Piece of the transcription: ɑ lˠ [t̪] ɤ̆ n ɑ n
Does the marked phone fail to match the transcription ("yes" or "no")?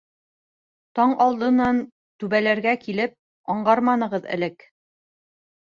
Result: yes